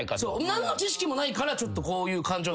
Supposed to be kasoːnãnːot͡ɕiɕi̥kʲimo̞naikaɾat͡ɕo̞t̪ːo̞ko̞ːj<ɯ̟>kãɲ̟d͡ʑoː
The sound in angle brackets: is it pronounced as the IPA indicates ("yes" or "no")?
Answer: no